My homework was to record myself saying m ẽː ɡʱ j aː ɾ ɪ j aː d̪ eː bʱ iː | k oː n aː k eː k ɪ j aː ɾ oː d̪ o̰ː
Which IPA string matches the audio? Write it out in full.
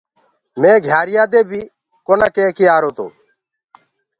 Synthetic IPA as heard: m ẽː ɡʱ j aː ɾ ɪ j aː d̪ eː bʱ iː | k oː n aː k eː k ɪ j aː ɾ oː t̪ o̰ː